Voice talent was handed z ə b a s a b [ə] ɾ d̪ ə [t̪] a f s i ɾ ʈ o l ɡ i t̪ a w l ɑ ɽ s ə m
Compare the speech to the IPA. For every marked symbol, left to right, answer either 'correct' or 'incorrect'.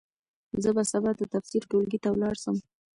incorrect: a, correct

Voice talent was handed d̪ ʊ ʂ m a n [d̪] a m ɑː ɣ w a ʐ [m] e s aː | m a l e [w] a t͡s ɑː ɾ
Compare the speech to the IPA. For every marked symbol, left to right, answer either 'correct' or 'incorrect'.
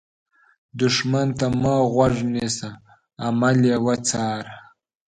incorrect: t̪, incorrect: n, correct

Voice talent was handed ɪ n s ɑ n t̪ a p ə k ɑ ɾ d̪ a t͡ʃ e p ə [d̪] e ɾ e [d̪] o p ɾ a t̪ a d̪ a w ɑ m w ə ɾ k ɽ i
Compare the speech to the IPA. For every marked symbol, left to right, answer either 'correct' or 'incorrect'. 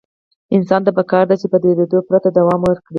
correct, correct

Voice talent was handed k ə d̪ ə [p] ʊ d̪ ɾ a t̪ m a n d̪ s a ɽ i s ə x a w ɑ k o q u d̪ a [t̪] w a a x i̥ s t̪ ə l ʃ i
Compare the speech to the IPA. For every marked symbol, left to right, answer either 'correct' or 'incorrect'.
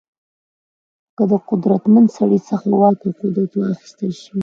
incorrect: q, correct

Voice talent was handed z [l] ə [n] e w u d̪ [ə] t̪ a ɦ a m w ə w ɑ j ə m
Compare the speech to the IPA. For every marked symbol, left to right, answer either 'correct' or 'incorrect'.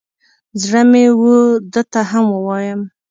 incorrect: ɽ, incorrect: m, correct

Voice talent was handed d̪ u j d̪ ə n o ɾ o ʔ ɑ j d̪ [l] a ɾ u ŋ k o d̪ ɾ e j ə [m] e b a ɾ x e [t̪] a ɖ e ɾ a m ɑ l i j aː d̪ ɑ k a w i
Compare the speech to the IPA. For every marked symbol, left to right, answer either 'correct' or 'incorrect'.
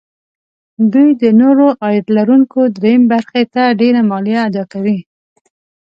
correct, correct, correct

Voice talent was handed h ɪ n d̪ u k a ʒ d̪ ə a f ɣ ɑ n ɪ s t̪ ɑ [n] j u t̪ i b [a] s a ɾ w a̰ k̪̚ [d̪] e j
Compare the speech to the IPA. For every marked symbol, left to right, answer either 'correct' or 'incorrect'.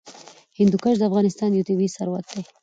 correct, incorrect: i, correct

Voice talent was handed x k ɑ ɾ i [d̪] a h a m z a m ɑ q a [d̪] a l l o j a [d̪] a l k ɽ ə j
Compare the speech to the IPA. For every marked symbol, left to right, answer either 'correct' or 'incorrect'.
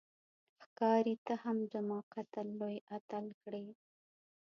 incorrect: t̪, incorrect: t̪, incorrect: t̪

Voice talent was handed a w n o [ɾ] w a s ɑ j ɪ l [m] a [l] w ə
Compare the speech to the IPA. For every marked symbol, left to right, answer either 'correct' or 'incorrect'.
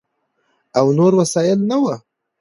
correct, incorrect: n, incorrect: none

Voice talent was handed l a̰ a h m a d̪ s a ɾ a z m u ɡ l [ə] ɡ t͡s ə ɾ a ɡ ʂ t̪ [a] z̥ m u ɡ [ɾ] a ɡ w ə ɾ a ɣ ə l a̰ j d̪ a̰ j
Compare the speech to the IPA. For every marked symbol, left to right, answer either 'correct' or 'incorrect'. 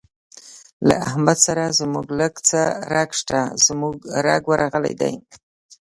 correct, correct, correct

